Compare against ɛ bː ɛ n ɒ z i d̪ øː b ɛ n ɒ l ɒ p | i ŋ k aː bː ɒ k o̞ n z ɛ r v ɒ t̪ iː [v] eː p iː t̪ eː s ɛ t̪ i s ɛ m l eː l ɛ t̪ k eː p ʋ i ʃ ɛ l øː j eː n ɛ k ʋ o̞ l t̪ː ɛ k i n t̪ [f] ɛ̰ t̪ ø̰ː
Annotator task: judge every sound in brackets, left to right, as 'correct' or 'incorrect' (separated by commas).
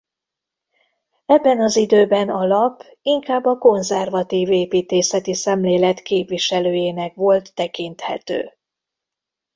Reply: correct, incorrect